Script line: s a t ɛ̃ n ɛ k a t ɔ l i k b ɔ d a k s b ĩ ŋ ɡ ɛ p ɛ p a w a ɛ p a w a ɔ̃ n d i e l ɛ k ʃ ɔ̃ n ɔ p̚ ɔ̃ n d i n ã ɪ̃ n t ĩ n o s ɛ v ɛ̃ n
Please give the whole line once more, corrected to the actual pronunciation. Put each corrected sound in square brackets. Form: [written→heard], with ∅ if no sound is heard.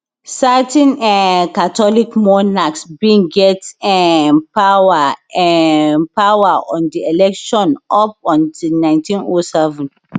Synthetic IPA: s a t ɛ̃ n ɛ k a t ɔ l i k [b→m] ɔ [d→n] a k s b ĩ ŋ ɡ ɛ [p→t] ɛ p a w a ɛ p a w a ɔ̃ n d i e l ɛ k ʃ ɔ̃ n ɔ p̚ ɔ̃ n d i n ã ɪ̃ n t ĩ n o s ɛ v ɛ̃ n

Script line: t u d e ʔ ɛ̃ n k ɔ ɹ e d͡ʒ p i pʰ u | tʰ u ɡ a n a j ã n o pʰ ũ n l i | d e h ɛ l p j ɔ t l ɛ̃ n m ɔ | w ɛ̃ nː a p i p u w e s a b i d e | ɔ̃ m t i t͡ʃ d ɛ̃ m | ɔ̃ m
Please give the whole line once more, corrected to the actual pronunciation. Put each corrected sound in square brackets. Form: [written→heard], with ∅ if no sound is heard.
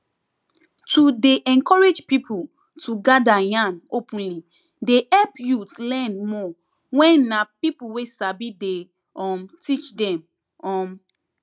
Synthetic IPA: t u d e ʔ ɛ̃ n k ɔ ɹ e d͡ʒ p i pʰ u | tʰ u ɡ a [n→d] a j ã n o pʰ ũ n l i | d e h ɛ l p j [ɔ→u] t l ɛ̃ n m ɔ | w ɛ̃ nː a p i p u w e s a b i d e | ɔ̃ m t i t͡ʃ d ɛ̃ m | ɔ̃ m

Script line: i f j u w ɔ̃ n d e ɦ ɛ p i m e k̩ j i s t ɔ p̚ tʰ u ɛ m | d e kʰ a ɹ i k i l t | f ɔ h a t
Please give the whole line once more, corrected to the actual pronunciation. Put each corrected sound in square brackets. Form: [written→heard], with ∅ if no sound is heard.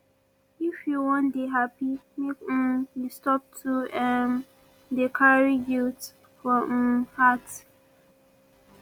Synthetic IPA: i f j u w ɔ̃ n d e ɦ [ɛ→a] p i m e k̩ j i s t ɔ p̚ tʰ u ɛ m | d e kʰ a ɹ i [k→ɡ] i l t | f ɔ h a t

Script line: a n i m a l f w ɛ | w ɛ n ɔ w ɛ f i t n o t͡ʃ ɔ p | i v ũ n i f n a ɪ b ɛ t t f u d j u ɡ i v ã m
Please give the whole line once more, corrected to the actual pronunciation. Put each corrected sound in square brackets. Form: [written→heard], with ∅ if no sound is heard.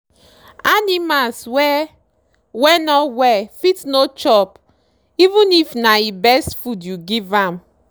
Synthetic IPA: a n i m a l [f→s] w ɛ | w ɛ n ɔ w ɛ f i t n o t͡ʃ ɔ p | i v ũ n i f n a [ɪ→i] b ɛ [t→s] t f u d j u ɡ i v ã m

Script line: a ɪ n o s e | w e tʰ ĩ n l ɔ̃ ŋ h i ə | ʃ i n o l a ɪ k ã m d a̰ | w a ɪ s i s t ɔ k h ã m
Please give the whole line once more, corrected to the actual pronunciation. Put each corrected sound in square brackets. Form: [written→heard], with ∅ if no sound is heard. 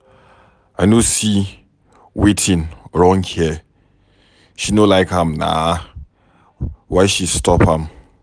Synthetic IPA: a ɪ n o s [e→i] | w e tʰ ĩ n [l→ɹ] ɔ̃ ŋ h i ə | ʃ i n o l a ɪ k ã m [d→n] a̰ | w a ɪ [s→ʃ] i s t ɔ [k→p] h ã m

